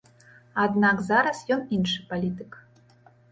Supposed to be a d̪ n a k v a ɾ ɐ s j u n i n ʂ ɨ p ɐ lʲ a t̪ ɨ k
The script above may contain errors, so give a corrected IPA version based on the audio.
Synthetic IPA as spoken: a d̪ n a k z a ɾ ɐ s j ɔ n i n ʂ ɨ p a lʲ i t̪ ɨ k